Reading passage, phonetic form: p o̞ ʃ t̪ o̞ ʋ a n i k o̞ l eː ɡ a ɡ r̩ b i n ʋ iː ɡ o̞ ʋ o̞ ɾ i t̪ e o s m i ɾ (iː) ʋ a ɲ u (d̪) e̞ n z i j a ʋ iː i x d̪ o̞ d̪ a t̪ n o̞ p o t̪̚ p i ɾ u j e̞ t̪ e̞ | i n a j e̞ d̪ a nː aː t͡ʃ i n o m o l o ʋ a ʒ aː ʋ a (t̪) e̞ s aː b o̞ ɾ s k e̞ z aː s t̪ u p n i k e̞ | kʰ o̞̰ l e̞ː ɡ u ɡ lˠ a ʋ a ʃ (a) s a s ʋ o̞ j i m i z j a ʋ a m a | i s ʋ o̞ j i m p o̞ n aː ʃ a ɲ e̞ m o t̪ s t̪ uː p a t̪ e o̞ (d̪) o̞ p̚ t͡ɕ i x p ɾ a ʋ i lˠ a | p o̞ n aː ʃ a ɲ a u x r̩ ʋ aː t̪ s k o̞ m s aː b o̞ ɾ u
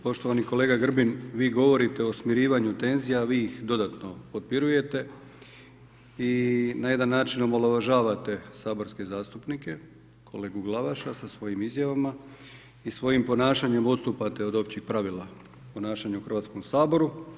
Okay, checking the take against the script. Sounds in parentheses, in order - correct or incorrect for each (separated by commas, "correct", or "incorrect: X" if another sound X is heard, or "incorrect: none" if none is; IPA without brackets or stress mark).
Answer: correct, incorrect: t̪, correct, correct, correct